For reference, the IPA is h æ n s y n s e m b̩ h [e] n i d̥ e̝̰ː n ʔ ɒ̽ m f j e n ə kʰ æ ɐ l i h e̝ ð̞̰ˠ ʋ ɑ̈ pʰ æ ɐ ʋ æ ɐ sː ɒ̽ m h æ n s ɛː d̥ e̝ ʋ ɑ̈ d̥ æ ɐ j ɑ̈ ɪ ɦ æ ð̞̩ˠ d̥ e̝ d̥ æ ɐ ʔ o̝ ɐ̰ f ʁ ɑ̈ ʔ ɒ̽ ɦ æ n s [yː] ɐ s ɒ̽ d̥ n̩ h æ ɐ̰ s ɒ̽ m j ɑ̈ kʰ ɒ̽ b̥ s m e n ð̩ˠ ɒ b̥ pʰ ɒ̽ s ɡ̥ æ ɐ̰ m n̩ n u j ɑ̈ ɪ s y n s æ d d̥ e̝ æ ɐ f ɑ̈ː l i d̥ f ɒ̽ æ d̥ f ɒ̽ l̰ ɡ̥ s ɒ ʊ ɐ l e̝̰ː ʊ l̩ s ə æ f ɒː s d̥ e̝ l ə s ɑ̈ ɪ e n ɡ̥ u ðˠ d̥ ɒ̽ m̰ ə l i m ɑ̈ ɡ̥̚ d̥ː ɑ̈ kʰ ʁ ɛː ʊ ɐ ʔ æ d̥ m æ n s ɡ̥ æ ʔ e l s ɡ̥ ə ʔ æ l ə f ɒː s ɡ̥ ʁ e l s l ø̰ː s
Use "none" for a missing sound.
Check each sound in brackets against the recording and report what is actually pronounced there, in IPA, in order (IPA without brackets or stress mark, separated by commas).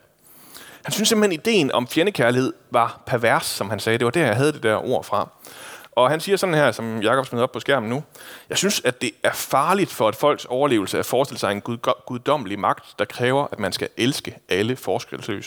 e, iː